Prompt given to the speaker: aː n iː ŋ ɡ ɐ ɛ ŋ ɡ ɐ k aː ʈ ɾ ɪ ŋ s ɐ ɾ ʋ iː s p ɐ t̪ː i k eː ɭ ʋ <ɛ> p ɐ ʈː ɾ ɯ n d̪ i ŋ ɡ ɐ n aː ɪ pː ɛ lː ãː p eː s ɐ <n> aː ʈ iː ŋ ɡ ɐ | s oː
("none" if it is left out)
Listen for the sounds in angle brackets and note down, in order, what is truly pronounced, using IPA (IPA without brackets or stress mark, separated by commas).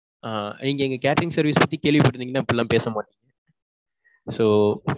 i, m